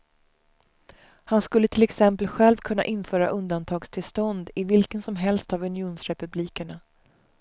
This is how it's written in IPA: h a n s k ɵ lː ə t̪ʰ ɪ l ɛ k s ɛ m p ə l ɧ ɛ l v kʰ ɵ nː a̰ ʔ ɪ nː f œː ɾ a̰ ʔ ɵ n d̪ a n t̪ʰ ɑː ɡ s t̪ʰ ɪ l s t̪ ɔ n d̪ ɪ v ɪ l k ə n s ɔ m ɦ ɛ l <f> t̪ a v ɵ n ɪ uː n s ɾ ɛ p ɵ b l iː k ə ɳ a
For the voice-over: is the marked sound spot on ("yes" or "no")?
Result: no